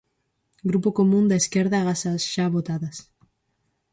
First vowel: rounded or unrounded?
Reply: rounded